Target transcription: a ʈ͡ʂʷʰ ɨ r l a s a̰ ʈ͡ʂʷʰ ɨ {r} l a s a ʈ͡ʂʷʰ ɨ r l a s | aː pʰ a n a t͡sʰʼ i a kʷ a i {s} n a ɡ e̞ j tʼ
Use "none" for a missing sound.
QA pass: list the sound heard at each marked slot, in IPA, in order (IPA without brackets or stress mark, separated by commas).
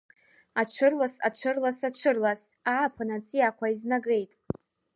r, z